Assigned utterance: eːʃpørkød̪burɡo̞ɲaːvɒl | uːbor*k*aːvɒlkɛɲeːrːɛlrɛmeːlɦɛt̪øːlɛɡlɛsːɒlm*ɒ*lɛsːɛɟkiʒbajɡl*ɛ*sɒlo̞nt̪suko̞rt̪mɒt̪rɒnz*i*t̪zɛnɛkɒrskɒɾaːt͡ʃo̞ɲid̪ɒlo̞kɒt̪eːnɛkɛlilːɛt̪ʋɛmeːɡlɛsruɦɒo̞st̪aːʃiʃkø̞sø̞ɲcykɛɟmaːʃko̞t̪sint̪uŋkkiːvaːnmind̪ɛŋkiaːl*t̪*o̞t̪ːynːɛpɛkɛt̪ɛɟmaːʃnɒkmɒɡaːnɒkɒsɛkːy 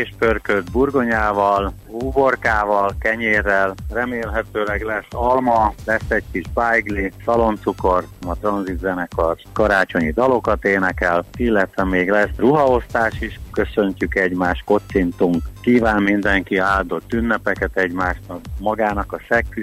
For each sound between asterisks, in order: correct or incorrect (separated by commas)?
correct, correct, incorrect, correct, incorrect